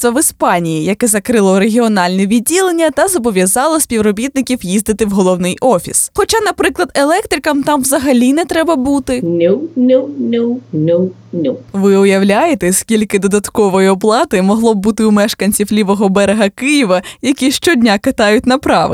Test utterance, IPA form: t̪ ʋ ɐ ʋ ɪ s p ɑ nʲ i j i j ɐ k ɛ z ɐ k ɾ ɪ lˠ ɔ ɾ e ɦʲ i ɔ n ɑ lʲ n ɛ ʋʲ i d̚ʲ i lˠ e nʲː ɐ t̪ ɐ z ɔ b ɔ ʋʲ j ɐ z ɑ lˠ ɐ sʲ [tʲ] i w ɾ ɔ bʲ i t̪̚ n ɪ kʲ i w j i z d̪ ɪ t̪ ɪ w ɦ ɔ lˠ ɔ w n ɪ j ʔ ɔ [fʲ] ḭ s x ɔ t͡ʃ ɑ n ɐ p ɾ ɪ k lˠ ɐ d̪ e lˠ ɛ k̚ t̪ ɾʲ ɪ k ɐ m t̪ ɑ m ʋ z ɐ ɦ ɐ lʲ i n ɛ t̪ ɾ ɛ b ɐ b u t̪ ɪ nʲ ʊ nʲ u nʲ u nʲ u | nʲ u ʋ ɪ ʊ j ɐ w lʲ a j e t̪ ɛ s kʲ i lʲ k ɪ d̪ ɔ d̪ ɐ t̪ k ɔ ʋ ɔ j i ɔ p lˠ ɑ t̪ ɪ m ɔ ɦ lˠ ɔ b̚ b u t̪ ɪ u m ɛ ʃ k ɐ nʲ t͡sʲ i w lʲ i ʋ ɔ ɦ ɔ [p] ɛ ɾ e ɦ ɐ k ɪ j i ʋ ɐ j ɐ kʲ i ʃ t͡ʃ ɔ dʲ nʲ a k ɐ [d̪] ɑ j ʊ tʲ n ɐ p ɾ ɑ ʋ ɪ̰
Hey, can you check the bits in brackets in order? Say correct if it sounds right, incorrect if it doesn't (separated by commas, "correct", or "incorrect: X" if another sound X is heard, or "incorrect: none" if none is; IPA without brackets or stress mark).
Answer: incorrect: pʲ, correct, incorrect: b, incorrect: t̪